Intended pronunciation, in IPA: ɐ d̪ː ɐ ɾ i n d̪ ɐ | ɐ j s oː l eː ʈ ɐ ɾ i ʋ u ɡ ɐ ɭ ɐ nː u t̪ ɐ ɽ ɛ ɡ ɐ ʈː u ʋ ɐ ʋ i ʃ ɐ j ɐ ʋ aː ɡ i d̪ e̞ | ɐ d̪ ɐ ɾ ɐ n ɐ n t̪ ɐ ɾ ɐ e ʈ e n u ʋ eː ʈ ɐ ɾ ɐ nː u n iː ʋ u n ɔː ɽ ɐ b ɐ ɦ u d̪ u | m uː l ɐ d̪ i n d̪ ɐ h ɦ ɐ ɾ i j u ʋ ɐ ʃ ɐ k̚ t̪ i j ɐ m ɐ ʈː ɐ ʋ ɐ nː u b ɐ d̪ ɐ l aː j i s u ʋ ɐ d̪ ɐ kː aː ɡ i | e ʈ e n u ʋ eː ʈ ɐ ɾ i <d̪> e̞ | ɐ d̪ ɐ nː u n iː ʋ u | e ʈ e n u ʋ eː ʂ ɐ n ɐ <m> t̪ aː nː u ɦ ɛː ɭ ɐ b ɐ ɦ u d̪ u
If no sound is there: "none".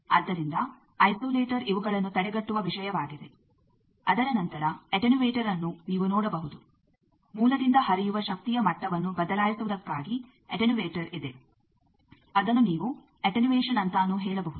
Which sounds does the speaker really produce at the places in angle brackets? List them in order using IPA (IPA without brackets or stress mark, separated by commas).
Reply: d̪, n